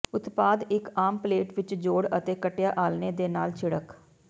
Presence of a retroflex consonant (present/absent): present